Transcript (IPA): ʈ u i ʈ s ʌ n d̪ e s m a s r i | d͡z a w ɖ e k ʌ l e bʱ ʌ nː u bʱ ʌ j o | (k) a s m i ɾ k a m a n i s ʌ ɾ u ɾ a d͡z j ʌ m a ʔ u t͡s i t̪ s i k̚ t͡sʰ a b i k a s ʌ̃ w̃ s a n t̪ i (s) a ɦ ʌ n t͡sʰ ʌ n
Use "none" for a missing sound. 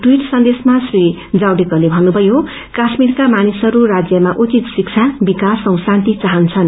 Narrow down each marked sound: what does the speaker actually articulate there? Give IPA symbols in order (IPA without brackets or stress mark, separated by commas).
k, t͡s